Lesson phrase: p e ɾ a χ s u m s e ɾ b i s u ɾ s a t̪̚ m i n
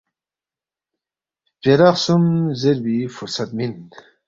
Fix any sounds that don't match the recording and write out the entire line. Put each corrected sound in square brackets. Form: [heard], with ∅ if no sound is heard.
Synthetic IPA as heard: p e ɾ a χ s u m [z] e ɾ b i [f] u ɾ s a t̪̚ m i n